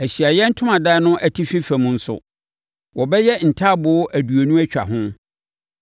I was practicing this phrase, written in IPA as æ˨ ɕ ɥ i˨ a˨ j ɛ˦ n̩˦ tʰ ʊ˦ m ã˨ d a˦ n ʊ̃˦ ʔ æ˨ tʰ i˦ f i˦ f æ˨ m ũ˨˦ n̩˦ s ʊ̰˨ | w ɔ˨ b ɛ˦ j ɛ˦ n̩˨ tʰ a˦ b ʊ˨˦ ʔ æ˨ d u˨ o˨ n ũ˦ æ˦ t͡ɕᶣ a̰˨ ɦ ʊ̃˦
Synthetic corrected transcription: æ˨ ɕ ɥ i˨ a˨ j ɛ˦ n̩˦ tʰ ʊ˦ m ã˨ d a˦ n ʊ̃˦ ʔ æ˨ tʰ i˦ f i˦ f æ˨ m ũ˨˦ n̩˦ s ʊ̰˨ | w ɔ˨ b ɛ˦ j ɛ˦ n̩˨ tʰ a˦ b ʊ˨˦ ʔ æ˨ d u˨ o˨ n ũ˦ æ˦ t͡ɕᶣ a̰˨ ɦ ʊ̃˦